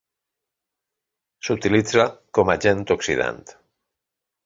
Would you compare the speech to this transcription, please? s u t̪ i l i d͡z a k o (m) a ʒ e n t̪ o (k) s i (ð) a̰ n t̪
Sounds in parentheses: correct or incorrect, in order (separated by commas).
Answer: correct, correct, correct